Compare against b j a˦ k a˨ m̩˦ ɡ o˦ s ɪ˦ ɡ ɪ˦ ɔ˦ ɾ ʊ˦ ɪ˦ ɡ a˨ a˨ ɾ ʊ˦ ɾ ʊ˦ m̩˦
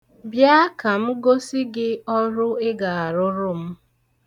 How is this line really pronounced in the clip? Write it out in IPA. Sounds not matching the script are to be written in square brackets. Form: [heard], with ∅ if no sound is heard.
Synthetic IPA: b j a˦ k a˨ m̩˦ ɡ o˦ s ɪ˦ ɡ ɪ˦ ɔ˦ ɾ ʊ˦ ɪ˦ ɡ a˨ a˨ ɾ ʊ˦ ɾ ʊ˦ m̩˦